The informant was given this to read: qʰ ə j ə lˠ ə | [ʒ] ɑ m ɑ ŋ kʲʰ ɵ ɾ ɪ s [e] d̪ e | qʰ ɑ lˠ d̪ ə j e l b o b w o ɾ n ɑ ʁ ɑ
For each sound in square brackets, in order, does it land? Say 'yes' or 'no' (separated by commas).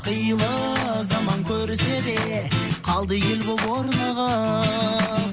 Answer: no, yes